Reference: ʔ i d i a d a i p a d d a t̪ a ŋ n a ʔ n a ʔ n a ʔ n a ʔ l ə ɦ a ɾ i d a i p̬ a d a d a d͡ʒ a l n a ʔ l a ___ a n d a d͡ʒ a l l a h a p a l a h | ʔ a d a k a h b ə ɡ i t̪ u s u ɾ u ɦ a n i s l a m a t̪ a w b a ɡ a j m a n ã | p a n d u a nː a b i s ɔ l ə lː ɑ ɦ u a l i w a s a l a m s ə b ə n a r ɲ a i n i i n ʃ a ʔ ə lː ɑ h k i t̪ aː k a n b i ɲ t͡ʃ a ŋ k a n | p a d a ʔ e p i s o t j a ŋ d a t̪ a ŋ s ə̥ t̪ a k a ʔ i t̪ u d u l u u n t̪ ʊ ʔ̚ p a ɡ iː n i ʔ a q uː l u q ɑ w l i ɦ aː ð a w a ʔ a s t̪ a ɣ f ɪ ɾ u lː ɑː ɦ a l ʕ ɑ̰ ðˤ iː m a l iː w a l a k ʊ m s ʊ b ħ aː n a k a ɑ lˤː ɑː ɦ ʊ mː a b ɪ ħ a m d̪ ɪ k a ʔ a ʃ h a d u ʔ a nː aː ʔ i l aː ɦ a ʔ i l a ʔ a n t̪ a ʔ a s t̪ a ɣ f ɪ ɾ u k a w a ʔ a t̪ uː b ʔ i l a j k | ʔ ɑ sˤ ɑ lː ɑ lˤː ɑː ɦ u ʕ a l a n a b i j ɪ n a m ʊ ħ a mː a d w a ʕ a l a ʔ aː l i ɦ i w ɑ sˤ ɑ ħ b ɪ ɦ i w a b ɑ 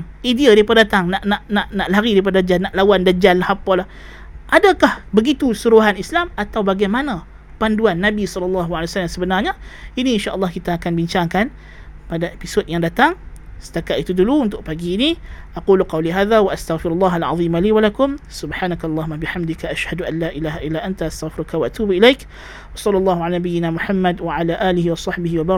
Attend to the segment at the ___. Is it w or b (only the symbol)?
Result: w